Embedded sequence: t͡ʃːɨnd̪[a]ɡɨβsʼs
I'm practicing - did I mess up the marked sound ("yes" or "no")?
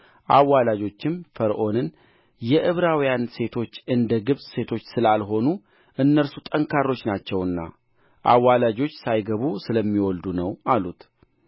yes